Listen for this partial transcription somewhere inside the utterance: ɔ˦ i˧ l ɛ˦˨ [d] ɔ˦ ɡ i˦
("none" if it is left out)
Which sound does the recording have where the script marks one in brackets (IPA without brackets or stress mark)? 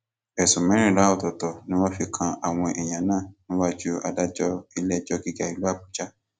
d͡ʒ